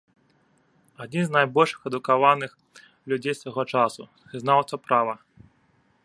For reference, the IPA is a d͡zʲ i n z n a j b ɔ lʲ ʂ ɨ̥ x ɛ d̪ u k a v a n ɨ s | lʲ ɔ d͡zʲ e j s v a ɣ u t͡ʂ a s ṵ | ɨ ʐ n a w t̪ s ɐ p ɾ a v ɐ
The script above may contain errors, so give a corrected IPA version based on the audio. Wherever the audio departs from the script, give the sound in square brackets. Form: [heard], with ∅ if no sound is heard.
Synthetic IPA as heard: a d͡zʲ i n z n a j b ɔ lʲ ʂ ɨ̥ x ɛ d̪ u k a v a n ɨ [x] | lʲ [u] d͡zʲ e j s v a ɣ [ɔ] t͡ʂ a s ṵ | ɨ [z] n a w t̪ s ɐ p ɾ a v ɐ

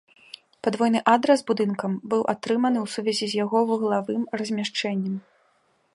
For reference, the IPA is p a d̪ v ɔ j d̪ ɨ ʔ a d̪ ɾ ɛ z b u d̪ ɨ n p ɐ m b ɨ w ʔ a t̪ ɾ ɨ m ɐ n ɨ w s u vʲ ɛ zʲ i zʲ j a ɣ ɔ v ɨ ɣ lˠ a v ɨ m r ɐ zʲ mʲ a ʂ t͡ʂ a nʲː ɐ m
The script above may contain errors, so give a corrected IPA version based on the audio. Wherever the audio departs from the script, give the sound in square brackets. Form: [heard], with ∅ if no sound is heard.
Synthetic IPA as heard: p a d̪ v ɔ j [n̪] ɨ ʔ a d̪ ɾ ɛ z b u d̪ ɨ n [k] ɐ m b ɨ w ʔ a t̪ ɾ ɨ m ɐ n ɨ w s u vʲ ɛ zʲ i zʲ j a ɣ ɔ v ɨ ɣ lˠ a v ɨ m r ɐ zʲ mʲ a ʂ t͡ʂ [ɛ] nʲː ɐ m

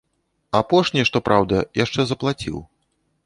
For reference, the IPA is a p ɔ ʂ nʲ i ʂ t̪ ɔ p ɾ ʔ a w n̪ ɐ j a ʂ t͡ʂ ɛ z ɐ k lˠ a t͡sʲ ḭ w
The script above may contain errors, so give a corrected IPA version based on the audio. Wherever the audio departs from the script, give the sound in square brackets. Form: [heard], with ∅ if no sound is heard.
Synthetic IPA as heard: a p ɔ ʂ nʲ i ʂ t̪ ɔ p ɾ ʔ a w [d̪] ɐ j a ʂ t͡ʂ ɛ z ɐ [p] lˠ a t͡sʲ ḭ w

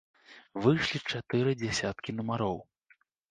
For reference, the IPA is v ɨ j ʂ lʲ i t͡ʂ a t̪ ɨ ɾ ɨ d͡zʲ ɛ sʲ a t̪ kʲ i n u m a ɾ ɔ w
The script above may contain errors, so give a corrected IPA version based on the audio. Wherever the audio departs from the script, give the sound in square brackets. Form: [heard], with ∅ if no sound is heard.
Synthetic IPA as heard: v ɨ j ʂ lʲ i t͡ʂ a t̪ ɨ ɾ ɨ d͡zʲ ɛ sʲ a t̪ kʲ i n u m a ɾ ɔ w

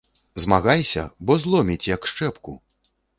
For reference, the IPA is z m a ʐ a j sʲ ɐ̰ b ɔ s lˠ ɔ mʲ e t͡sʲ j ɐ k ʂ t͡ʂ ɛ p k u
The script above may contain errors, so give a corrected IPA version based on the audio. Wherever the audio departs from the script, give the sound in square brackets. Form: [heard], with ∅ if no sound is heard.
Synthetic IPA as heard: z m a [ɣ] a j sʲ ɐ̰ b ɔ [z] lˠ ɔ mʲ [i] t͡sʲ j ɐ k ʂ t͡ʂ ɛ p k u

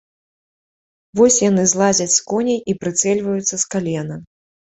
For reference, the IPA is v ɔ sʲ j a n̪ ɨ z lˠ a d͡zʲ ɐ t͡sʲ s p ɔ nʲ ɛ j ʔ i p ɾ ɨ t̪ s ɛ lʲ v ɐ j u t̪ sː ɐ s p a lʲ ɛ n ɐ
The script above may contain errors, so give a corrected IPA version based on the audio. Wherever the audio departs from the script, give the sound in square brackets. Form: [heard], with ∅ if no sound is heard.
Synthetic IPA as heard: v ɔ sʲ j a n̪ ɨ z lˠ a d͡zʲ ɐ t͡sʲ s [k] ɔ nʲ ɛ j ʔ i p ɾ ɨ t̪ s ɛ lʲ v ɐ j u t̪ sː ɐ s [k] a lʲ ɛ n ɐ

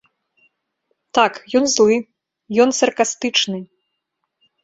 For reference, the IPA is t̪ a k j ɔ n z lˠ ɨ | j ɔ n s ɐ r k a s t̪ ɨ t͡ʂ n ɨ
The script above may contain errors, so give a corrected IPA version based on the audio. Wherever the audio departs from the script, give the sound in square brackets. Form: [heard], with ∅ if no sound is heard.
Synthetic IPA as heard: t̪ a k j ɔ n z lˠ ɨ | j ɔ n s ɐ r k a s t̪ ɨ t͡ʂ n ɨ

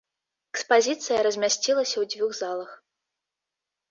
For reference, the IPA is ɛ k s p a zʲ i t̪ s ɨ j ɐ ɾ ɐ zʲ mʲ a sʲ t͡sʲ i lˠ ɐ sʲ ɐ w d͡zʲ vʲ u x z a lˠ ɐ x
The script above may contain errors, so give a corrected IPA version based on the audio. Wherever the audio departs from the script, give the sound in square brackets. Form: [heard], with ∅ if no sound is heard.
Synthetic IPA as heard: ɛ k s p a zʲ i t̪ s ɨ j ɐ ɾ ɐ zʲ mʲ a sʲ t͡sʲ i lˠ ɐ sʲ ɐ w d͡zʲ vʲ u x z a lˠ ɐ x

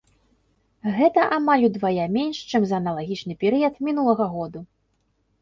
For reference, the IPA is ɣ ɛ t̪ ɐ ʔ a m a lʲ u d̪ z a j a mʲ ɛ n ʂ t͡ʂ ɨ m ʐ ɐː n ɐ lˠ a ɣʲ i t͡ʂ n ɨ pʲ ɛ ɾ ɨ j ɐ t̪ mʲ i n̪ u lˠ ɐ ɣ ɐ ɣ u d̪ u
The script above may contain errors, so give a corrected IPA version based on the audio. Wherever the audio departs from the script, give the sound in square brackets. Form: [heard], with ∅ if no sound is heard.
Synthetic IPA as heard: ɣ ɛ t̪ ɐ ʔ a m a lʲ u d̪ [v] a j a mʲ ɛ n ʂ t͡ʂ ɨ m [z] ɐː n ɐ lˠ a ɣʲ i t͡ʂ n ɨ pʲ ɛ ɾ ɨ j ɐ t̪ mʲ i n̪ u lˠ ɐ ɣ ɐ ɣ [ɔ] d̪ u

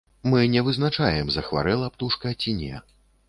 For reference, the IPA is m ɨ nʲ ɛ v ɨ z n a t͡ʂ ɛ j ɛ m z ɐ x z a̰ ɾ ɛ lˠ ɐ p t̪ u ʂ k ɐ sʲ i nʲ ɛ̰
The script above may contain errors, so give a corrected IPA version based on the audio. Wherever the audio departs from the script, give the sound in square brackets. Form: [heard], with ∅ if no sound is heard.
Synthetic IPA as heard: m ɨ nʲ ɛ v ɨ z n a t͡ʂ [a] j ɛ m z ɐ x [v] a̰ ɾ ɛ lˠ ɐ p t̪ u ʂ k ɐ [t͡sʲ] i nʲ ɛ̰

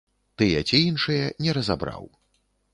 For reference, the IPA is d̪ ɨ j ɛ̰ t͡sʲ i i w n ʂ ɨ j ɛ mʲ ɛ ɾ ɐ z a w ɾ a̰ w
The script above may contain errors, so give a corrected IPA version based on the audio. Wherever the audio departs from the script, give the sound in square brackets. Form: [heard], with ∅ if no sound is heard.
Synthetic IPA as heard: [t̪] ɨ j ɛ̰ t͡sʲ i i [∅] n ʂ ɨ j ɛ [nʲ] ɛ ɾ ɐ z a [b] ɾ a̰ w

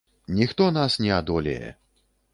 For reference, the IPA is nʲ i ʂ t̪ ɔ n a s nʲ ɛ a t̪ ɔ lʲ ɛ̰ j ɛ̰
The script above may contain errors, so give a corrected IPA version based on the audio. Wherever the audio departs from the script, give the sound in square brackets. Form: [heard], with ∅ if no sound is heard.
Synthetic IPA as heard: nʲ i [x] t̪ ɔ n a s nʲ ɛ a [d̪] ɔ lʲ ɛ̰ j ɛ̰

